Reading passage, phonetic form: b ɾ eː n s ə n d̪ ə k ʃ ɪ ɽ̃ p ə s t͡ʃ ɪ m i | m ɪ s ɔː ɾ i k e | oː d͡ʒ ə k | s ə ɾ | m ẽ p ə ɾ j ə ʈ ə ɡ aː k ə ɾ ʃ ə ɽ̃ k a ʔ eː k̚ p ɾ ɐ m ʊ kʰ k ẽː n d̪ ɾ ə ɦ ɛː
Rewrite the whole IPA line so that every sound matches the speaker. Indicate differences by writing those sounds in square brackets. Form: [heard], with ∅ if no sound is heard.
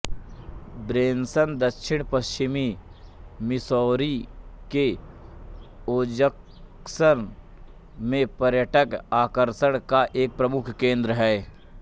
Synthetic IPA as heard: b ɾ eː n s ə n d̪ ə k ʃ ɪ ɽ̃ p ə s t͡ʃ ɪ m i | m ɪ s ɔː ɾ i k e | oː d͡ʒ ə k | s ə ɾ | m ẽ p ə ɾ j ə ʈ ə [k] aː k ə ɾ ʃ ə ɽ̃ k a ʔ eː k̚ p ɾ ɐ m ʊ kʰ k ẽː n d̪ ɾ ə ɦ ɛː